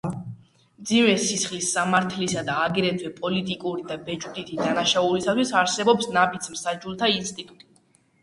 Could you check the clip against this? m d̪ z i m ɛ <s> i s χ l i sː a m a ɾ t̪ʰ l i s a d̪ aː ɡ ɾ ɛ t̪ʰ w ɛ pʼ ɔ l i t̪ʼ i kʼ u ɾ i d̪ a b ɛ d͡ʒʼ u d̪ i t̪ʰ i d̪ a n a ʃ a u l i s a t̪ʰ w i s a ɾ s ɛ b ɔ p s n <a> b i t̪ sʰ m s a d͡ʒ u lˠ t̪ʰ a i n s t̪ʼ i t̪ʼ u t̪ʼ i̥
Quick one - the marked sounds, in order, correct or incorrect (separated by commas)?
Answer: correct, correct